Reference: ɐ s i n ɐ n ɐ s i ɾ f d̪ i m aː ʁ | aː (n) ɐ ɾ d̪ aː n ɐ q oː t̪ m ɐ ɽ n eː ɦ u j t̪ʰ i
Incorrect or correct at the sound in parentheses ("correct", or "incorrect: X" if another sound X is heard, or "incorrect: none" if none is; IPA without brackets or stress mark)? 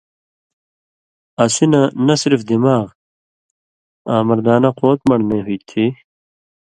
incorrect: m